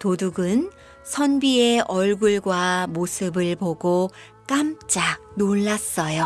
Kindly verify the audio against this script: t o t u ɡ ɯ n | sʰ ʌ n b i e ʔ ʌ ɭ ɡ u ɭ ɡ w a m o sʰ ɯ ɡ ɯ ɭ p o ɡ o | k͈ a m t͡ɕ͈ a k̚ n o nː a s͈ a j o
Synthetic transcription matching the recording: t o d u ɡ ɯ n | sʰ ʌ n b i e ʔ ʌ ɭ ɡ u ɭ ɡ w a m o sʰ ɯ b ɯ ɭ p o ɡ o | k͈ a m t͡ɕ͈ a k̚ n o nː a s͈ ʌ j o